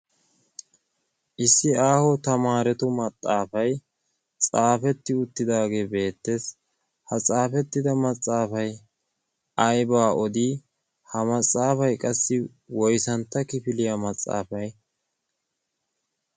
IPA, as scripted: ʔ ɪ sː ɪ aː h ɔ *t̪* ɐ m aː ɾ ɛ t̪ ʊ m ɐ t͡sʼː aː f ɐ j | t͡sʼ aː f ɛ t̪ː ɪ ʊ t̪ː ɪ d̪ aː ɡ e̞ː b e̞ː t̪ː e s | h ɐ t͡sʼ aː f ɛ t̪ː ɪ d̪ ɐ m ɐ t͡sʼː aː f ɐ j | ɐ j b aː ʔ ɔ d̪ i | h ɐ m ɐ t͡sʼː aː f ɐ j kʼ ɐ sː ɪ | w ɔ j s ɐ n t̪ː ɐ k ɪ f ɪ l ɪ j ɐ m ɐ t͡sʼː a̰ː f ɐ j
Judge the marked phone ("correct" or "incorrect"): correct